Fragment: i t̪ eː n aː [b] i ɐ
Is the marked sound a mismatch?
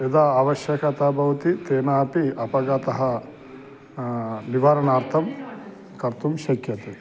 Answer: yes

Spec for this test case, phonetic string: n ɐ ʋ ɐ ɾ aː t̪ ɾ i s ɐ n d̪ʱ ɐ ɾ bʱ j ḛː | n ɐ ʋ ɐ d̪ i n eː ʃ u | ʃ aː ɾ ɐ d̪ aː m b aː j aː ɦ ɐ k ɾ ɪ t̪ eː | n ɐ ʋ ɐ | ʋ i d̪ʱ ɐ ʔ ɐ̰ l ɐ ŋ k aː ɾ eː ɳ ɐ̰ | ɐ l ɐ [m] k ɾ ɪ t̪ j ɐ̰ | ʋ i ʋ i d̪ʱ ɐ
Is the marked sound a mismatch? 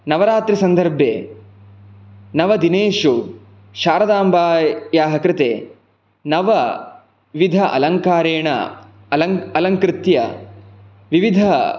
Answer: yes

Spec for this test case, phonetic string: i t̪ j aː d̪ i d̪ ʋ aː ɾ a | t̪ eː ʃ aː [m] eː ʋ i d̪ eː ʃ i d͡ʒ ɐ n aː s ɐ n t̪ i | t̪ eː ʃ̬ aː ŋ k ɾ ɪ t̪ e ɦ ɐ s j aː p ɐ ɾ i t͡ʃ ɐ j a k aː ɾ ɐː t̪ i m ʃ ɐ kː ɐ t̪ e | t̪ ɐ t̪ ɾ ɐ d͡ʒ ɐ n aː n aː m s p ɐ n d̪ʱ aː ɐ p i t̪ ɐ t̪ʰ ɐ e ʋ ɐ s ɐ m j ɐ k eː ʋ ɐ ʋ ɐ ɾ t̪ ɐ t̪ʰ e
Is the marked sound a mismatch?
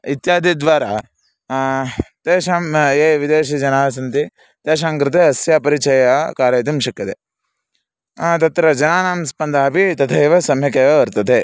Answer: no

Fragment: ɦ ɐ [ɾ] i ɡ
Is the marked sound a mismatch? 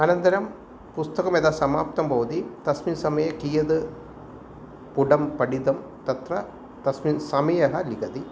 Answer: yes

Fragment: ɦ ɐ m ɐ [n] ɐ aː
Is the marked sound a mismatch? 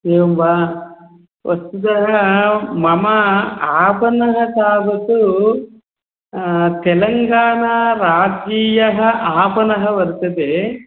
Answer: yes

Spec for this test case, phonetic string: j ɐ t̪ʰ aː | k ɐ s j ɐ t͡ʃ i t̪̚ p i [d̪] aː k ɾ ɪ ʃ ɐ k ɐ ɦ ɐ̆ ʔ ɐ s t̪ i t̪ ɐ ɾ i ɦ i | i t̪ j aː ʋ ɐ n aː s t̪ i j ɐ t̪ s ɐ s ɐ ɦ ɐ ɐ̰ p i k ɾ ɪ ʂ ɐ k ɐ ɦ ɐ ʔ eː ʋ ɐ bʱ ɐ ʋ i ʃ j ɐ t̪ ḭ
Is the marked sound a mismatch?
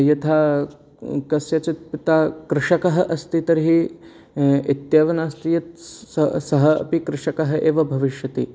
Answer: yes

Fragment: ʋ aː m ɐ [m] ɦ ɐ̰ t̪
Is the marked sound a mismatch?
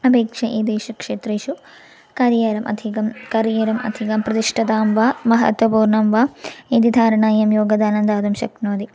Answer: yes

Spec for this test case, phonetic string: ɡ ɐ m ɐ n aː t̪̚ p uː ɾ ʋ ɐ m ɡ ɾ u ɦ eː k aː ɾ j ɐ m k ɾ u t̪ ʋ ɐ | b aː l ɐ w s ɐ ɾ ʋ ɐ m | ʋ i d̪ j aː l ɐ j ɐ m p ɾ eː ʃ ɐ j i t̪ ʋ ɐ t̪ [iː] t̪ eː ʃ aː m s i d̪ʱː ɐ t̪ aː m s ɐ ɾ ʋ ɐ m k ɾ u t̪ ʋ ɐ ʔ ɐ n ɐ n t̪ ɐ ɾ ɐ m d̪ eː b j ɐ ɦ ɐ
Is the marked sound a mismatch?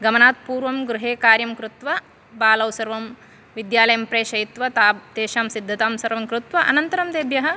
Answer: yes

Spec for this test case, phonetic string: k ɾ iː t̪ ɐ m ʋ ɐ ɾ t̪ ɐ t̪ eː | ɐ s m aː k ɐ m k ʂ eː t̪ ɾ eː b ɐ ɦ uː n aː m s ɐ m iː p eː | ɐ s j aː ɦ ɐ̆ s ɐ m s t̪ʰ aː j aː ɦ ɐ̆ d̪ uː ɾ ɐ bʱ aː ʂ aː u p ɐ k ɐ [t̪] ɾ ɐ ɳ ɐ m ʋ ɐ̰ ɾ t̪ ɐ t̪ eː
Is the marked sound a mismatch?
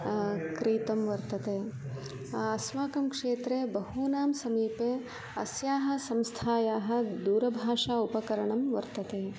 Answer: yes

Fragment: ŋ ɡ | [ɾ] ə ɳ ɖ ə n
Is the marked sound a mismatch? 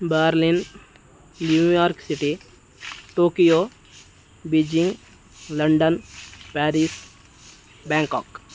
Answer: yes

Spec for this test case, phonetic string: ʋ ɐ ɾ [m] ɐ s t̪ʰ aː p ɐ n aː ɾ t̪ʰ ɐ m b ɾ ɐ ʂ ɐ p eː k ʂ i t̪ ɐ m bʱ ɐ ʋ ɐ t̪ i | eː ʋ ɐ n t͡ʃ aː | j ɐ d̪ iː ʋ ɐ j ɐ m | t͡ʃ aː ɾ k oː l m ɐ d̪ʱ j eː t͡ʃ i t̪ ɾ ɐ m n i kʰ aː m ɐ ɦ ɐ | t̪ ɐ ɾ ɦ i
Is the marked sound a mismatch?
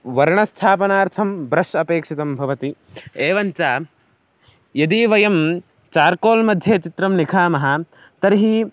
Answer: yes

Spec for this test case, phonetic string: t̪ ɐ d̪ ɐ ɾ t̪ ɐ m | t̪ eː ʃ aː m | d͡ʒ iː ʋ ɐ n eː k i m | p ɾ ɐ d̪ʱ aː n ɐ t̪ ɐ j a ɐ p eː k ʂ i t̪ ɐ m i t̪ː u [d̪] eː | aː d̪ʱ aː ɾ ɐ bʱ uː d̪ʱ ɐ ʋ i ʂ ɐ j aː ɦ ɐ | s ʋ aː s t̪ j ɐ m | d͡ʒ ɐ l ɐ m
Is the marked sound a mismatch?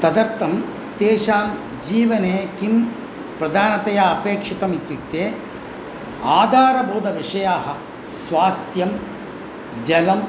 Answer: yes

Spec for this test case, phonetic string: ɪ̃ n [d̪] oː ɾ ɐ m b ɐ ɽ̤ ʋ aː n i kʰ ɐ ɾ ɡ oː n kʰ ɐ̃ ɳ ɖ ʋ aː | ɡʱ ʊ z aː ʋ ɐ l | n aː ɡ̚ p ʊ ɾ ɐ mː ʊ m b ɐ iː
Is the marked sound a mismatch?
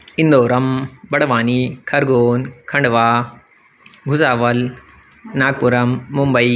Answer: no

